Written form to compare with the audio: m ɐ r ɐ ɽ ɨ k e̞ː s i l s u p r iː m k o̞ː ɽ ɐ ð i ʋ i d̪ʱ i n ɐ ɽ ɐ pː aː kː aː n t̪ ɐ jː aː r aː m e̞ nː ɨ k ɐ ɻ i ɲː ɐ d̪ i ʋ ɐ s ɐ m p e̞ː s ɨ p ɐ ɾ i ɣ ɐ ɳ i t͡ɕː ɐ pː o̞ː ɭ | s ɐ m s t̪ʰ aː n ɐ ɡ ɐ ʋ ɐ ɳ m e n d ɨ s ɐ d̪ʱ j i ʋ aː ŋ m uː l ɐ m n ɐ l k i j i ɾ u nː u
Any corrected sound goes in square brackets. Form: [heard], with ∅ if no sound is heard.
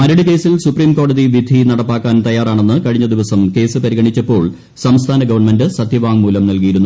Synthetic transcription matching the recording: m ɐ [ɾ] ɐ ɽ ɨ k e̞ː s i l s u p r iː m k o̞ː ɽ ɐ ð i ʋ i d̪ʱ i n ɐ ɽ ɐ pː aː kː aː n t̪ ɐ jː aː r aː [ɳ] e̞ nː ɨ k ɐ ɻ i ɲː ɐ d̪ i ʋ ɐ s ɐ m [k] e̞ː s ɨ p ɐ ɾ i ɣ ɐ ɳ i t͡ɕː ɐ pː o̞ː ɭ | s ɐ m s t̪ʰ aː n ɐ ɡ ɐ ʋ ɐ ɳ m e n d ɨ s ɐ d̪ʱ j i ʋ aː ŋ m uː l ɐ m n ɐ l k i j i ɾ u nː u